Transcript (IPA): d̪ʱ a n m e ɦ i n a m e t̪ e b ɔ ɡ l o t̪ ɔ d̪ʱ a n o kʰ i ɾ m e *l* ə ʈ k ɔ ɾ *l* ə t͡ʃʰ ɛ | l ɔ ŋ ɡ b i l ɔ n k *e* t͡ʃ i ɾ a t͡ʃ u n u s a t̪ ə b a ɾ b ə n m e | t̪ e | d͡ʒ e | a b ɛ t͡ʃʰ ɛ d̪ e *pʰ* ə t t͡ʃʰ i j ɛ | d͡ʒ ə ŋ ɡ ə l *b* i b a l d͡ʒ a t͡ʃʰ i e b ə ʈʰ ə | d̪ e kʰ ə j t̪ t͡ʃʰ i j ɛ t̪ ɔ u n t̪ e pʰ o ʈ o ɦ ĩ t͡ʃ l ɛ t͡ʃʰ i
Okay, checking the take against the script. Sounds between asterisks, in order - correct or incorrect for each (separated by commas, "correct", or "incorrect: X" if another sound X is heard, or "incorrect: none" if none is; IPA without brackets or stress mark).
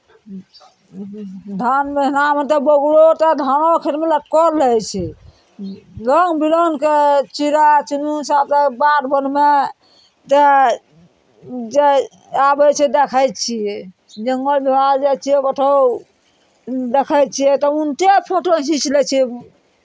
correct, correct, correct, incorrect: kʰ, correct